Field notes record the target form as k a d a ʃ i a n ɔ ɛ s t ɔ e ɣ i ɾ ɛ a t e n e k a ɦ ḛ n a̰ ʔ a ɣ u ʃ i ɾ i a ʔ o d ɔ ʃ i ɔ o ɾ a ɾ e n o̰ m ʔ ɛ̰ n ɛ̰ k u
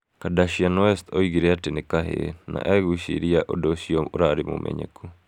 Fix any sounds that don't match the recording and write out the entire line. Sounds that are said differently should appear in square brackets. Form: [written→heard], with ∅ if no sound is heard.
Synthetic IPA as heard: k a d a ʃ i a n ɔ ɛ s t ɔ [e→i] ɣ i ɾ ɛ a t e n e k a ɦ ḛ n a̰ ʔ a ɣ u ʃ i ɾ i a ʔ o d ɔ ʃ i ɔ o ɾ a ɾ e [n→m] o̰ m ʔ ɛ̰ [n→ɲ] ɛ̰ k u